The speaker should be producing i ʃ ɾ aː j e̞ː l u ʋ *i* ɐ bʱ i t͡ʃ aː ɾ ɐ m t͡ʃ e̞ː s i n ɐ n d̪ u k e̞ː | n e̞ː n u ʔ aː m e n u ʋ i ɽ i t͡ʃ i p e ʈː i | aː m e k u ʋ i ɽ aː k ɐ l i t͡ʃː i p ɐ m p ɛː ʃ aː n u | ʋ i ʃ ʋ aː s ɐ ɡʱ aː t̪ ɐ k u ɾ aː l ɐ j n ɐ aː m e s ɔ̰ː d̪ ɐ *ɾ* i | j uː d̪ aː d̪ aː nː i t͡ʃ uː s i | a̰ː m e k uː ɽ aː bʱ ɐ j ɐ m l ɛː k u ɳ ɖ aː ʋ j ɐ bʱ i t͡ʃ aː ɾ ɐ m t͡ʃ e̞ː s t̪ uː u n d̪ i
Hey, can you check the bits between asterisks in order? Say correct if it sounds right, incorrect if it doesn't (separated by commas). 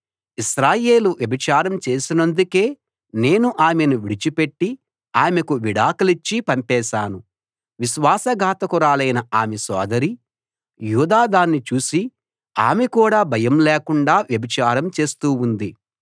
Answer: incorrect, correct